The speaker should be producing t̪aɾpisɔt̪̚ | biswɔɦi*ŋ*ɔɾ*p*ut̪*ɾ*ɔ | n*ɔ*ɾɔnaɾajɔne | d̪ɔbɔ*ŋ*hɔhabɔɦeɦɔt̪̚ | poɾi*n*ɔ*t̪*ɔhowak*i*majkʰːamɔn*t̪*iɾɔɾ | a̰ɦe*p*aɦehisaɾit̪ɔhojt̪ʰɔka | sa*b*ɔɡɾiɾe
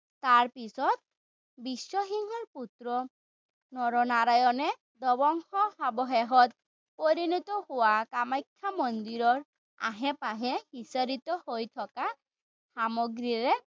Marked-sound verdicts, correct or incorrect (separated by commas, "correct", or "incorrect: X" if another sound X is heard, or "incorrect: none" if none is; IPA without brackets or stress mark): correct, correct, correct, correct, correct, correct, correct, incorrect: a, incorrect: d̪, correct, incorrect: m